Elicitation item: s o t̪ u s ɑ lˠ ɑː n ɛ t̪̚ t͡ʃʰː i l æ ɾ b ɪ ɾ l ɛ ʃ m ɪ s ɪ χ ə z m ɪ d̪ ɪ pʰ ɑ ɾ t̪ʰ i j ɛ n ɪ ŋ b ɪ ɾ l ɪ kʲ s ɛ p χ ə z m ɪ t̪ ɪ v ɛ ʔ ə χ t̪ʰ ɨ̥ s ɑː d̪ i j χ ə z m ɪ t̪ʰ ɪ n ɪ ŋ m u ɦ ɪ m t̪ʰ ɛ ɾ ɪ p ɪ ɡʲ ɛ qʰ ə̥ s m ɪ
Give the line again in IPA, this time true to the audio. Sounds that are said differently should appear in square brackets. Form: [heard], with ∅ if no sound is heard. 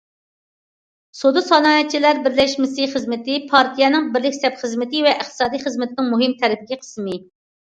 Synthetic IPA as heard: s o [d̪] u s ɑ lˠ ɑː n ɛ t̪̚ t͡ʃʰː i l æ ɾ b ɪ ɾ l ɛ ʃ m ɪ s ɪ χ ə z m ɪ [t̪] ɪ pʰ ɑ ɾ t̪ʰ i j ɛ n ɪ ŋ b ɪ ɾ l ɪ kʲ s ɛ p χ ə z m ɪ t̪ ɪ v ɛ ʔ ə χ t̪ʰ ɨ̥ s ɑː d̪ i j χ ə z m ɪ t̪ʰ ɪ n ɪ ŋ m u ɦ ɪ m t̪ʰ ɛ ɾ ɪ p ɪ ɡʲ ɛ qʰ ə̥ s m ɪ